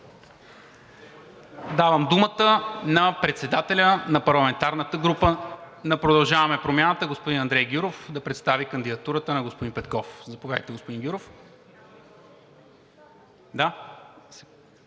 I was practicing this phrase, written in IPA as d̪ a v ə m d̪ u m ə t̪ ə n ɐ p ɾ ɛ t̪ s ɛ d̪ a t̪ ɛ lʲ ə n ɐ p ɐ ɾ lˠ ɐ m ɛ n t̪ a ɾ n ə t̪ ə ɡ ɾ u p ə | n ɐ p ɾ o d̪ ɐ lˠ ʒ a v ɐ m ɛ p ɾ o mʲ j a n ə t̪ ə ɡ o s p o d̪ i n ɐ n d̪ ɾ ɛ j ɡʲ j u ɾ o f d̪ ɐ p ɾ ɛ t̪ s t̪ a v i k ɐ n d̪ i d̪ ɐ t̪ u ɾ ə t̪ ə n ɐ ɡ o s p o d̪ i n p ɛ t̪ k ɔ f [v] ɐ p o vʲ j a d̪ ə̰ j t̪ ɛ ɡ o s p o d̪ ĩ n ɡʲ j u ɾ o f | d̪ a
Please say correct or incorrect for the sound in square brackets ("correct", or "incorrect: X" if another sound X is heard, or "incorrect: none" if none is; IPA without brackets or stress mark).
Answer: incorrect: z